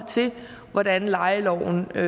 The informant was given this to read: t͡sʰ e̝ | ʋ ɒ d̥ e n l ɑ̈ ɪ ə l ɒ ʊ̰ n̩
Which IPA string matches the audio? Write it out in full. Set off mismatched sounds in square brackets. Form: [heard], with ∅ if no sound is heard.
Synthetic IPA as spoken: t͡sʰ e̝ | ʋ ɒ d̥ [æ] n l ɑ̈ ɪ ə l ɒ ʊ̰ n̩